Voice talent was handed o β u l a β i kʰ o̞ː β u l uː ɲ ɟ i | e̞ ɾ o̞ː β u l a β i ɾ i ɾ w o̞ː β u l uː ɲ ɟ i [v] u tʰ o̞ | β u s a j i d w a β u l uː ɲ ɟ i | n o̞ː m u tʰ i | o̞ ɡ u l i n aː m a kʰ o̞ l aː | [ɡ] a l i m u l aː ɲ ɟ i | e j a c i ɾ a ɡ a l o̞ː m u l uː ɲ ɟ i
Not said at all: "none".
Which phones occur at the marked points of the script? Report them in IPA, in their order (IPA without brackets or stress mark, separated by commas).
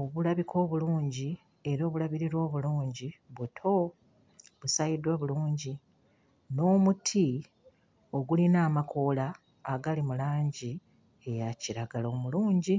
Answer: β, ɡ